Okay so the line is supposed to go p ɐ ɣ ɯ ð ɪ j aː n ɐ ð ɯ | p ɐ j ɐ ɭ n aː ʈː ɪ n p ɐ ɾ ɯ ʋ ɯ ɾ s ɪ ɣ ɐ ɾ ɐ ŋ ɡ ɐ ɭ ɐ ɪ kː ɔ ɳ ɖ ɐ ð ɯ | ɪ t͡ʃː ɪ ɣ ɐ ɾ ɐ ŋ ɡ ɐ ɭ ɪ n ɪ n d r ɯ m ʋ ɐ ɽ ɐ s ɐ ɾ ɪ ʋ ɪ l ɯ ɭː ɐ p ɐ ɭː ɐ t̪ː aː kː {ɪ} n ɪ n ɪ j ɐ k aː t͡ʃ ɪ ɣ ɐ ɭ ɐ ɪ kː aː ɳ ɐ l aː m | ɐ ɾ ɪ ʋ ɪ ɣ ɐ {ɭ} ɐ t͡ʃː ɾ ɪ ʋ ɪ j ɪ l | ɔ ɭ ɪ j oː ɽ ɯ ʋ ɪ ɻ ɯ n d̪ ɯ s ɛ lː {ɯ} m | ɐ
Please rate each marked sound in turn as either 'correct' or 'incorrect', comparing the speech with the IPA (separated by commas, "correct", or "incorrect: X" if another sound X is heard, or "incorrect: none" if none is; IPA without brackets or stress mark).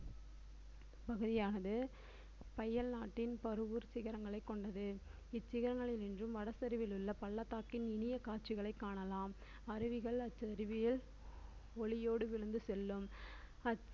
correct, correct, correct